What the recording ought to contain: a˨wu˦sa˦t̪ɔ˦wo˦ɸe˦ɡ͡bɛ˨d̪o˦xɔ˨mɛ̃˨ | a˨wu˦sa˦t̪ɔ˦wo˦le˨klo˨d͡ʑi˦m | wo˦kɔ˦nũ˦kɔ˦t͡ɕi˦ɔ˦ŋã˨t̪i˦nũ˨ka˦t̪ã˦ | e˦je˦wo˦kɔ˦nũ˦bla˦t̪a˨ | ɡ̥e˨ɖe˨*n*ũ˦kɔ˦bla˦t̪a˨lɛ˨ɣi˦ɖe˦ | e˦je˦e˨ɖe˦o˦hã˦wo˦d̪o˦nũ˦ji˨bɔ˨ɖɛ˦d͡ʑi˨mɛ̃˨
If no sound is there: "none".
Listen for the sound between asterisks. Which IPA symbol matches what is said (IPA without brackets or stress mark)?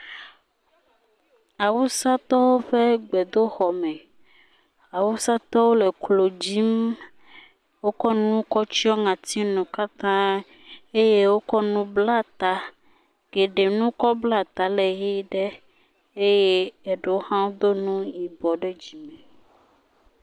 n